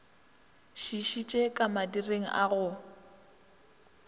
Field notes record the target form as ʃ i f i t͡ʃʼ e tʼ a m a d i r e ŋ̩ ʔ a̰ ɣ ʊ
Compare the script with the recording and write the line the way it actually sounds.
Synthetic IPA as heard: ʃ i ʃ i t͡ʃʼ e kʼ a m a d i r e ŋ̩ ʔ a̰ ɣ ʊ